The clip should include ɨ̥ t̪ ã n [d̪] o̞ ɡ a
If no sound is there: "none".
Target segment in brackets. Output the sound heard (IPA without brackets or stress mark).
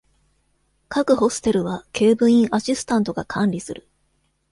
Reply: t̪